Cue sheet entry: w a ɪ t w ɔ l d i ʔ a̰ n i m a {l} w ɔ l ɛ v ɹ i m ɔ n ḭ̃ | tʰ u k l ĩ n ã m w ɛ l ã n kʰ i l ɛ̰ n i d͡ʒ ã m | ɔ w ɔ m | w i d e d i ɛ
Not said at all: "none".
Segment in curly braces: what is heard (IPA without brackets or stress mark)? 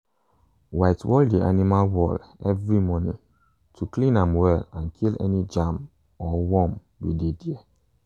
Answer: l